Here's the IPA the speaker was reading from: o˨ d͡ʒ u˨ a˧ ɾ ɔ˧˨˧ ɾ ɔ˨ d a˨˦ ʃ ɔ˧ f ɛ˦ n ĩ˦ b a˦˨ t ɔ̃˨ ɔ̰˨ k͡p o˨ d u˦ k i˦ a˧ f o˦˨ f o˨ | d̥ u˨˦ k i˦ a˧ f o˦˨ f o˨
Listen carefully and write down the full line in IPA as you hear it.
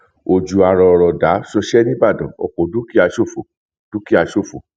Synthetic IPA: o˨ d͡ʒ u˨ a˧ ɾ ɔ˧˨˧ ɾ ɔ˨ d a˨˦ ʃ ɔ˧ ʃ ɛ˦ n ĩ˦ b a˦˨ d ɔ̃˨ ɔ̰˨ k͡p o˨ d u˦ k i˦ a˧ ʃ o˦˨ f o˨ | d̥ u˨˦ k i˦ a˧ ʃ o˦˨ f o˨